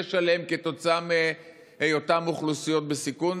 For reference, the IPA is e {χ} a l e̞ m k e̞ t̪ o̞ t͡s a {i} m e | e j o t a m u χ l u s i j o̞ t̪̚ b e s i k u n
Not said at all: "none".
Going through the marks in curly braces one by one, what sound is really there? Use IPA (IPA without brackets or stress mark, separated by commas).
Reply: ʃ, a